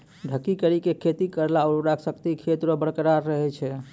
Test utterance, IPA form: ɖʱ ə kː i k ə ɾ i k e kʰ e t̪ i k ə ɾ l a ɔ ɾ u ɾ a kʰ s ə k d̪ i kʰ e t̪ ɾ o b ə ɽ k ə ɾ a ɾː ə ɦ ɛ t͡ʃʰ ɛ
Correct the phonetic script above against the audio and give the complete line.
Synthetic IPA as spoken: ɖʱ ə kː i k ə ɾ i k e kʰ e t̪ i k ə ɾ l a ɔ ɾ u ɾ a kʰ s ə k t̪ i kʰ e t̪ ɾ o b ə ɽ k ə ɾ a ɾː ə ɦ ɛ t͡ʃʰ ɛ